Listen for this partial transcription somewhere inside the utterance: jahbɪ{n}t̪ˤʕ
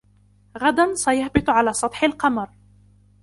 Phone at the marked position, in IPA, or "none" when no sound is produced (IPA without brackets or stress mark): none